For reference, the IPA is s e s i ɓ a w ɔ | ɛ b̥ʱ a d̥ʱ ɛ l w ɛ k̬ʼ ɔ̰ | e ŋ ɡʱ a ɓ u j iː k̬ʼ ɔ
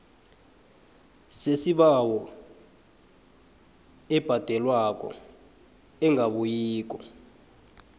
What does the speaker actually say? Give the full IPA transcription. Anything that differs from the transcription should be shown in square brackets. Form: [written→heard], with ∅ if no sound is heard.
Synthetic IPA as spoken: s e s i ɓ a w ɔ | ɛ b̥ʱ a d̥ʱ ɛ l w [ɛ→a] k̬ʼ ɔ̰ | [e→ɛ] ŋ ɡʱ a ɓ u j iː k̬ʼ ɔ